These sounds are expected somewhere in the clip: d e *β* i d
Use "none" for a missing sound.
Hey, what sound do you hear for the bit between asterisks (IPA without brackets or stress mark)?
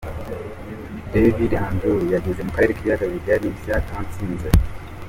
v